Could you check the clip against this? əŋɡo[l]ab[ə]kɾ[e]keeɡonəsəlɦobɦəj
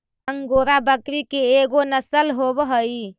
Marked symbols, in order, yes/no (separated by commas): no, yes, no